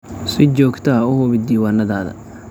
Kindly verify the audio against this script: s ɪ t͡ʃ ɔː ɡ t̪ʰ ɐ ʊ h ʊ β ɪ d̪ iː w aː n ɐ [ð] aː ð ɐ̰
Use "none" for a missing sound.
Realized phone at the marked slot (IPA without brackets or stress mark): ð